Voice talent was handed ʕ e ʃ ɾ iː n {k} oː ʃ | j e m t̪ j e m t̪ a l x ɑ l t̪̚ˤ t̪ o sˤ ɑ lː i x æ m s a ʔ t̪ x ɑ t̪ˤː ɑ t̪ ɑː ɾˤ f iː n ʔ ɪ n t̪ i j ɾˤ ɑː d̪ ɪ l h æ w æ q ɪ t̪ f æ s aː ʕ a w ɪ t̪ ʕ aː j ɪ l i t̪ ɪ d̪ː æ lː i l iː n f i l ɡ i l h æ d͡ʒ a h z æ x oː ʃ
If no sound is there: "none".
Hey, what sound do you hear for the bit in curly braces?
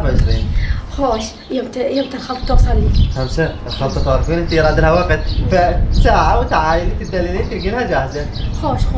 x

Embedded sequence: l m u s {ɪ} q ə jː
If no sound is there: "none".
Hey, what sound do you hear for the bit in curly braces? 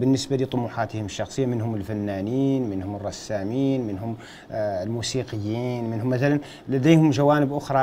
i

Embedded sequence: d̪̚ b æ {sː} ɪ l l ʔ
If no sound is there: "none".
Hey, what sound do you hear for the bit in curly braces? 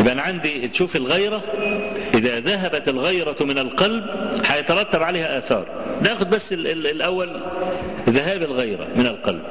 sː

